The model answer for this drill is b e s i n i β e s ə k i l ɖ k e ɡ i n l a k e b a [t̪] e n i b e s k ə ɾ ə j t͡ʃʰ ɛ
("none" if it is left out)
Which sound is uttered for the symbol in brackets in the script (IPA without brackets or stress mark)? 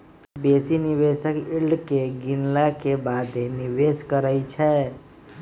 d̪